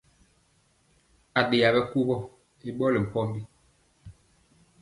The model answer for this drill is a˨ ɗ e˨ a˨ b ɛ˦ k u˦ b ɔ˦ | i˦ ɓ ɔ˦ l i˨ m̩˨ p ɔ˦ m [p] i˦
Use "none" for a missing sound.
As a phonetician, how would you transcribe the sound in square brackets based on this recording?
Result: b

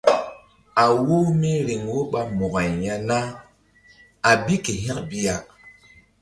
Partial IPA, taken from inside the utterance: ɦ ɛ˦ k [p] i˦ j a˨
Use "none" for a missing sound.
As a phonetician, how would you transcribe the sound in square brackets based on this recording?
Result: b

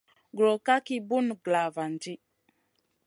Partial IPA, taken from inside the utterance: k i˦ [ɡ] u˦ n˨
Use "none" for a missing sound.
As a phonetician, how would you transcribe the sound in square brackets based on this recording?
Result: b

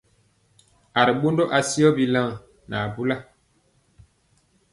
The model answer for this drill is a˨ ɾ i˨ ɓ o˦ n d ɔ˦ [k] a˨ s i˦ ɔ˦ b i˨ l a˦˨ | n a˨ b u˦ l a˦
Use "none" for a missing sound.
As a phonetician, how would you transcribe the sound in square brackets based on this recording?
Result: ʔ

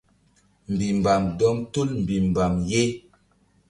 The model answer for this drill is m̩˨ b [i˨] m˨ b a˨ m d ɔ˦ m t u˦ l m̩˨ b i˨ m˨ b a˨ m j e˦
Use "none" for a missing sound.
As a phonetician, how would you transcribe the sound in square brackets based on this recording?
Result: i˨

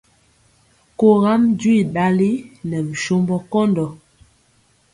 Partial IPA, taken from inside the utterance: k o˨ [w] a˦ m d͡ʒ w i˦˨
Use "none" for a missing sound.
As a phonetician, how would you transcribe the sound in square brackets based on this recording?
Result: ɣ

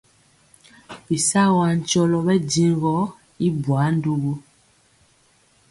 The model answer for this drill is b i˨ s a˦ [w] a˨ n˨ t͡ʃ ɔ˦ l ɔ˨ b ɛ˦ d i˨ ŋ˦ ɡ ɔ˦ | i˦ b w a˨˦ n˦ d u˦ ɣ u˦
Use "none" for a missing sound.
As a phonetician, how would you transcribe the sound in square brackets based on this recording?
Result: w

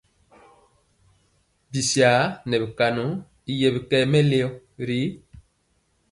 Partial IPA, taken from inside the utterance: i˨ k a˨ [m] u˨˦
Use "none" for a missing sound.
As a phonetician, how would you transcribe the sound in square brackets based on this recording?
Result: n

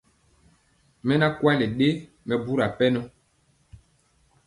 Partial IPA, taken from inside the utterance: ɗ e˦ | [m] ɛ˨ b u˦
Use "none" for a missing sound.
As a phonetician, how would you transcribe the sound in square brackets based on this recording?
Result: m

